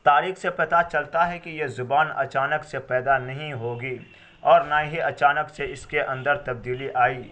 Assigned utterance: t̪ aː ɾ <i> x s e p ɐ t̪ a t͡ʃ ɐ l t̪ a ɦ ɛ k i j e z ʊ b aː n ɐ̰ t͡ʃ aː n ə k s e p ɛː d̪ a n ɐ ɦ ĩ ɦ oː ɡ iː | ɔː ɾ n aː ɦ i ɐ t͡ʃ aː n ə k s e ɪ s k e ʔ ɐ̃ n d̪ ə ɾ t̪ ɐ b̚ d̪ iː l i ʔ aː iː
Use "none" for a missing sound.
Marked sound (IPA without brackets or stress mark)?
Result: iː